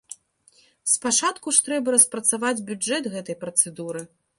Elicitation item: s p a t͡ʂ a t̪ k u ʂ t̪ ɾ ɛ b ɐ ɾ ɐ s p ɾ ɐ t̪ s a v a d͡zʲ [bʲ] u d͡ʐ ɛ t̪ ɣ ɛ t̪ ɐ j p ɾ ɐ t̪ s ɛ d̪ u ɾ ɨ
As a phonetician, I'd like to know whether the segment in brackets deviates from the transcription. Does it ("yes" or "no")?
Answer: no